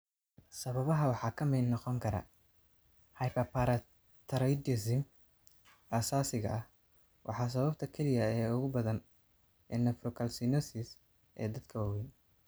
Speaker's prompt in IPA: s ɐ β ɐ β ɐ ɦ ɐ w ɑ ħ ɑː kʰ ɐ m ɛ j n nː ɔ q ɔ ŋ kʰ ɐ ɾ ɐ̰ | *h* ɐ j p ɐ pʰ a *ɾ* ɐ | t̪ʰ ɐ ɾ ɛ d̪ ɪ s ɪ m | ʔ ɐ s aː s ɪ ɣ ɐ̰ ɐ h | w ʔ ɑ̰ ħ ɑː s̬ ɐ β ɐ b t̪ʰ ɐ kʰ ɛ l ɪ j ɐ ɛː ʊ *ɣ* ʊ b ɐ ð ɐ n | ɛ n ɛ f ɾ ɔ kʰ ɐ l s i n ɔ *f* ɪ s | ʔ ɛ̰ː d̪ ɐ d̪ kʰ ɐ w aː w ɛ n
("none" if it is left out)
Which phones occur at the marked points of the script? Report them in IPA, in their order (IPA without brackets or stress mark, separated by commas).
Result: h, ɾ, ɣ, s